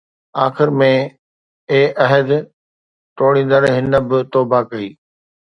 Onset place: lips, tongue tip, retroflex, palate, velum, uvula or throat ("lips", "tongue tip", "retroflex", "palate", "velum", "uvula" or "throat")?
velum